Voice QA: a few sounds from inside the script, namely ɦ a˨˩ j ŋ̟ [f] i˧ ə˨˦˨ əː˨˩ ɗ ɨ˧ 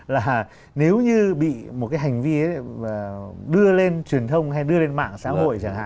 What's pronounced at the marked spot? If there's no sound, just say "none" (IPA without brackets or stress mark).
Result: v